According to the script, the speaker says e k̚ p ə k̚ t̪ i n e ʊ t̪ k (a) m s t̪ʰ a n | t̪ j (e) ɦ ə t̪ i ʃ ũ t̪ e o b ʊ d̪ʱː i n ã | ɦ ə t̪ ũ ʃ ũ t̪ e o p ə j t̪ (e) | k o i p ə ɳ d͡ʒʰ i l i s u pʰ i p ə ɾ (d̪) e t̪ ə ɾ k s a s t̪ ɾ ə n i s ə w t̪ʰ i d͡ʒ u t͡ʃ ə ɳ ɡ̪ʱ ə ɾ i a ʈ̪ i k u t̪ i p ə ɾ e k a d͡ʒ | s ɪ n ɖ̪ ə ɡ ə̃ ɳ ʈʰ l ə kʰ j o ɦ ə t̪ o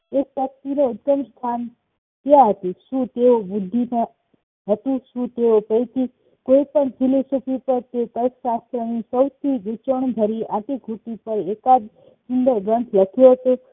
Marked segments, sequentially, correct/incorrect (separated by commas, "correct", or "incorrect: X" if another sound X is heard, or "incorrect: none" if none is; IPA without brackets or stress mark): incorrect: ə, incorrect: a, incorrect: i, incorrect: t̪